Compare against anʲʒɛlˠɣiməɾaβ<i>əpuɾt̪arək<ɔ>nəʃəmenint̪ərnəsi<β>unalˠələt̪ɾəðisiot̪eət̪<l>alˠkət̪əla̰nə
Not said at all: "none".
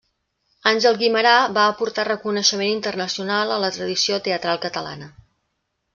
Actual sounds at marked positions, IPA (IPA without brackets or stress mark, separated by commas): a, u, none, ɾ